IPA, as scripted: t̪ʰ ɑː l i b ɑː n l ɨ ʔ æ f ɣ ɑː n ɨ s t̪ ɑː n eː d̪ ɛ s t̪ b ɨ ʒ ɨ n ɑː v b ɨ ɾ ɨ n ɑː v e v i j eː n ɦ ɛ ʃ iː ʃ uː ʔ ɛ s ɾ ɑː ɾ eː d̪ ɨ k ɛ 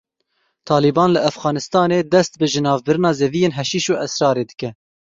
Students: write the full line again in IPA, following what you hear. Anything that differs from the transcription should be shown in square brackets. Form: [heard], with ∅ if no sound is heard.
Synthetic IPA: t̪ʰ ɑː l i b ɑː n l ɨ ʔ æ f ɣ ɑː n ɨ s t̪ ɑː n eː d̪ ɛ s t̪ b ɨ ʒ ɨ n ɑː v b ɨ ɾ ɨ n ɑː [z] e v i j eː n ɦ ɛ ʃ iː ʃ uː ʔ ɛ s ɾ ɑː ɾ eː d̪ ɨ k ɛ